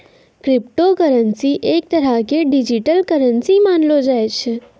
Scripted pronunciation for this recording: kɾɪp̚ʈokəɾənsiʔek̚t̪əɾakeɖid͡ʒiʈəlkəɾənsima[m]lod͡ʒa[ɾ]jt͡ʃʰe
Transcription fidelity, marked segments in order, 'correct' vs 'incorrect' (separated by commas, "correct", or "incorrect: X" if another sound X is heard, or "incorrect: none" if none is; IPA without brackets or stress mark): incorrect: n, incorrect: none